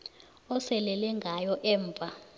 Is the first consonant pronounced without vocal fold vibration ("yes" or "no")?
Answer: yes